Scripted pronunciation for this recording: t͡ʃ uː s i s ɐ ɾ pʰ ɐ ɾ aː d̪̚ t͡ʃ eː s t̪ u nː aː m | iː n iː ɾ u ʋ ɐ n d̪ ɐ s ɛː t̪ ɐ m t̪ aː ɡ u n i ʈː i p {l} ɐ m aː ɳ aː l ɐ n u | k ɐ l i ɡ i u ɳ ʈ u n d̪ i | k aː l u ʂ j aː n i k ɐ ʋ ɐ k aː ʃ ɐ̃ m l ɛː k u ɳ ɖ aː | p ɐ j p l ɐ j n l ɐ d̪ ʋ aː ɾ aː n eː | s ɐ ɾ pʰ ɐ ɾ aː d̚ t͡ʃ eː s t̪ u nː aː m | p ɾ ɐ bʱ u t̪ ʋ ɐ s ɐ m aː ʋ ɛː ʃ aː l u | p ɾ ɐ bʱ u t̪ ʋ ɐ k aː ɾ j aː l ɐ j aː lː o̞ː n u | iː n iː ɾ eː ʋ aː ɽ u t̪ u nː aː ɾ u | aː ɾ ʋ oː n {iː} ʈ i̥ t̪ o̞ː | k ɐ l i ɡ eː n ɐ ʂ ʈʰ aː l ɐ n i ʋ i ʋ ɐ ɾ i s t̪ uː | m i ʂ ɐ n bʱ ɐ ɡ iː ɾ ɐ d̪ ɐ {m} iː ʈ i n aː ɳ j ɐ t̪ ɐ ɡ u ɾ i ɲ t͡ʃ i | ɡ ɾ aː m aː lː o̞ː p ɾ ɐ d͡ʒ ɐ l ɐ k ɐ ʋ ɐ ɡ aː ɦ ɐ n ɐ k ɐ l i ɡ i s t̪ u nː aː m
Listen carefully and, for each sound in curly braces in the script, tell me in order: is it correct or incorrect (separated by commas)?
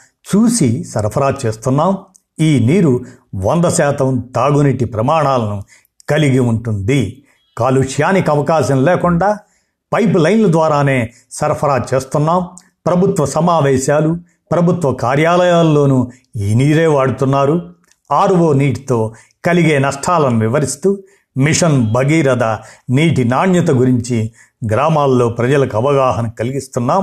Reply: incorrect, correct, incorrect